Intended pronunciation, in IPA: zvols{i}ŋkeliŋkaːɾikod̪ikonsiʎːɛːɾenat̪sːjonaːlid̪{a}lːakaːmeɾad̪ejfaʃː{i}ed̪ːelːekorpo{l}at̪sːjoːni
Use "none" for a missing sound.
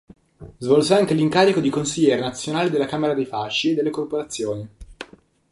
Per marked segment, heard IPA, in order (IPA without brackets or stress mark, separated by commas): a, e, i, ɾ